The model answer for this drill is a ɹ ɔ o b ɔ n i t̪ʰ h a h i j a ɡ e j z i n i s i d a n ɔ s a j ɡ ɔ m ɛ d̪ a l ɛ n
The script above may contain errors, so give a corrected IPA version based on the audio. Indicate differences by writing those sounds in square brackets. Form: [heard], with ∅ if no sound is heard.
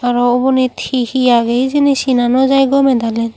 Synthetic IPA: a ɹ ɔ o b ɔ n i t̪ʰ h [i] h i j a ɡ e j z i n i s i [n] a n ɔ [z] a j ɡ ɔ m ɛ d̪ a l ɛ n